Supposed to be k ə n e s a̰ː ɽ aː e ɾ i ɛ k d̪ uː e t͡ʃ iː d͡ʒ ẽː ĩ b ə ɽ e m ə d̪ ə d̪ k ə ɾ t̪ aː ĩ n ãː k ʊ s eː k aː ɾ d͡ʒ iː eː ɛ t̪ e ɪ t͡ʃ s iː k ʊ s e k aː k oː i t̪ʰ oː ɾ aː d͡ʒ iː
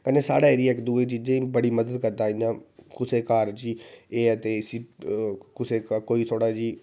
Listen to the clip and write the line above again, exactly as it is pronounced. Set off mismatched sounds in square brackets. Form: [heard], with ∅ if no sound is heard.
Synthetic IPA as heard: k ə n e s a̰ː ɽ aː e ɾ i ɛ k d̪ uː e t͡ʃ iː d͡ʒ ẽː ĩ b ə ɽ [i] m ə d̪ ə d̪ k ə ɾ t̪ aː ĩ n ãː k ʊ s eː k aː ɾ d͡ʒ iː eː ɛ t̪ e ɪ [∅] s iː k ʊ s e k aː k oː i t̪ʰ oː [ɽ] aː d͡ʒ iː